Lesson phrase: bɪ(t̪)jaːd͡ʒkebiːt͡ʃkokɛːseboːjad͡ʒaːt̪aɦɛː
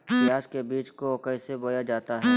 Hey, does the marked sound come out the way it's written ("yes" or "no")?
no